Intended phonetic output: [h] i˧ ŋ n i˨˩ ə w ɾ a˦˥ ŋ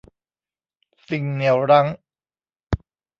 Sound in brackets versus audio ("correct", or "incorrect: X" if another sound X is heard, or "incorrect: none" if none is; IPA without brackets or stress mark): incorrect: s